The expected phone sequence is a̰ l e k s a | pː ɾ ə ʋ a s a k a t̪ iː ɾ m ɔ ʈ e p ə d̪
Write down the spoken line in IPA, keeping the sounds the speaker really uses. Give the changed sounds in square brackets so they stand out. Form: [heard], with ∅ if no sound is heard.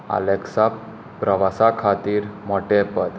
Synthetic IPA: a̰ l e k s a | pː ɾ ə ʋ a s a [kʰ] a t̪ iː ɾ m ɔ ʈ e p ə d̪